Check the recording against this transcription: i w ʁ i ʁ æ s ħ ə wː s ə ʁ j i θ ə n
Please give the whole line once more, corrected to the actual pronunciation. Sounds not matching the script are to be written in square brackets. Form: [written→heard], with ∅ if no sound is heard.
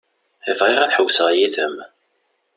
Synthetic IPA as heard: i [w→v] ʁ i ʁ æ [s→θ] ħ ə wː s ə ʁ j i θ ə [n→m]